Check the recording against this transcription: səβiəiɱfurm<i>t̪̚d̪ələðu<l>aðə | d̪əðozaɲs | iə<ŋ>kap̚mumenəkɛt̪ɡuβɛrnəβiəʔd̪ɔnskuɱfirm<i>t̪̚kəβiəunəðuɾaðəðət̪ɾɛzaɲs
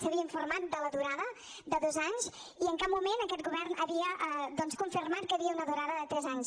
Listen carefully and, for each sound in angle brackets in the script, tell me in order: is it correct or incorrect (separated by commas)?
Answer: incorrect, incorrect, correct, incorrect